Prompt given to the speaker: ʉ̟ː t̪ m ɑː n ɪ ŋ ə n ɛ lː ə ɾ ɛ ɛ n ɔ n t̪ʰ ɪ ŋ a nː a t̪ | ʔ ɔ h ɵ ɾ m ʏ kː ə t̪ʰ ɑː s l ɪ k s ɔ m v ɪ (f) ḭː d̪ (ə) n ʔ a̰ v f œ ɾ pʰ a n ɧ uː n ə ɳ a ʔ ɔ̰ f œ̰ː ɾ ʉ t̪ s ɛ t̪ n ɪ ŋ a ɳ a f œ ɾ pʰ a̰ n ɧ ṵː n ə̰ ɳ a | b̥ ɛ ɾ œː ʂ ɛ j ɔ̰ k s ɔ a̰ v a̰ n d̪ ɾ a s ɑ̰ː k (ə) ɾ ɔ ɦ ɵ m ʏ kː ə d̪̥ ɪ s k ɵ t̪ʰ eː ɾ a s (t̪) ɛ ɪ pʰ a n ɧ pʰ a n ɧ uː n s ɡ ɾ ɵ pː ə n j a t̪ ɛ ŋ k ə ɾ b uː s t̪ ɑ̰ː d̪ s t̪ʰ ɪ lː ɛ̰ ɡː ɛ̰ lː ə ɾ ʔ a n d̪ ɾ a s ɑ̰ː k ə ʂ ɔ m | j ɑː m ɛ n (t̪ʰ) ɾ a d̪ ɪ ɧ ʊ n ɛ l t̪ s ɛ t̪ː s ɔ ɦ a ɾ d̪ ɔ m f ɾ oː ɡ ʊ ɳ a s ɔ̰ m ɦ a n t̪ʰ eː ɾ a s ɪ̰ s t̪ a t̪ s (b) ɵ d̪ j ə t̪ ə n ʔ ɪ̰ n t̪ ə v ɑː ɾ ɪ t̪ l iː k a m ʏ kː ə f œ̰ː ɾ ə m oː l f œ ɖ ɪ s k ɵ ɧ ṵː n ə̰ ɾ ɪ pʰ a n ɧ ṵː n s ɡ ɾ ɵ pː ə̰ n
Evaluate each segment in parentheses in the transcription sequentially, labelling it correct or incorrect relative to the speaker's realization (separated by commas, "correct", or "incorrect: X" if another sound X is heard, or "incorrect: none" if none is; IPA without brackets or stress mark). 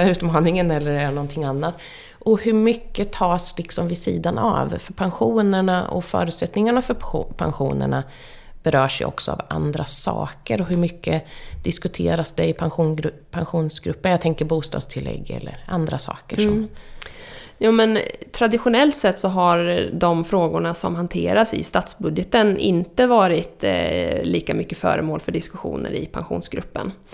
incorrect: s, incorrect: a, correct, incorrect: d̪, correct, correct